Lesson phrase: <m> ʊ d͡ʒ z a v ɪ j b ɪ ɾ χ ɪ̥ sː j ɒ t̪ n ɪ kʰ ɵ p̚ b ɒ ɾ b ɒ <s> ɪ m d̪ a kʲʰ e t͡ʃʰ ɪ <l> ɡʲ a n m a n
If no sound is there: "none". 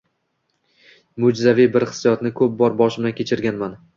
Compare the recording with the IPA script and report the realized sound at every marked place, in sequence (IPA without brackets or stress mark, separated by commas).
m, ʃ, ɾ